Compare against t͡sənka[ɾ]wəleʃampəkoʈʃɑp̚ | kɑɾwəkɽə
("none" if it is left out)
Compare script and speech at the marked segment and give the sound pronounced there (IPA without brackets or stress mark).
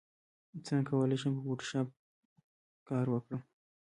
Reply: none